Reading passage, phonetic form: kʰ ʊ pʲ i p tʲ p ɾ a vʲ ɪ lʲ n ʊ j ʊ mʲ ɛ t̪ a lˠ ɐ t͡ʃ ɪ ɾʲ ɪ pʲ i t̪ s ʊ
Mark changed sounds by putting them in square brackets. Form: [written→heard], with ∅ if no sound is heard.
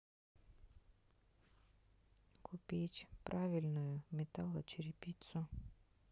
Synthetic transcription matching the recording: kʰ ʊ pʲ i [p→∅] tʲ p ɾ a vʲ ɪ lʲ n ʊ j ʊ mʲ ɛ t̪ a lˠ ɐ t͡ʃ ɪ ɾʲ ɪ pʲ i t̪ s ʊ